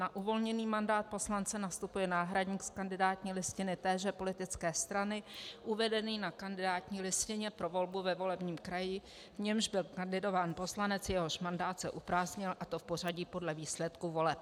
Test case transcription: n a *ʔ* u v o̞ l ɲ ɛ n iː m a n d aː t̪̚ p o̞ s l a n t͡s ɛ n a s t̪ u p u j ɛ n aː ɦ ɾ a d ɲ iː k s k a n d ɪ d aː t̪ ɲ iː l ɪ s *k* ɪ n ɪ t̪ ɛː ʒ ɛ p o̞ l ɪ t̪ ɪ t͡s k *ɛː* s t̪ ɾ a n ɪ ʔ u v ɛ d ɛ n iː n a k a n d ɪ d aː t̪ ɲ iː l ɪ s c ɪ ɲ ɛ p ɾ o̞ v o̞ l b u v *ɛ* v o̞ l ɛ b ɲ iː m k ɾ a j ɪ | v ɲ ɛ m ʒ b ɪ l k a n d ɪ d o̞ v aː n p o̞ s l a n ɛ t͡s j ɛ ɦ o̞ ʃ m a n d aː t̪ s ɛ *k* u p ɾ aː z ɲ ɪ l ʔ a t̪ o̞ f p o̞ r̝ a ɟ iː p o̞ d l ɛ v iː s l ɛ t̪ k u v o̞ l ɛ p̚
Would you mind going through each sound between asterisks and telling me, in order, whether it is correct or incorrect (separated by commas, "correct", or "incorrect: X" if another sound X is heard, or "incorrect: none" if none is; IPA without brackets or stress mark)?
correct, incorrect: c, correct, correct, incorrect: ʔ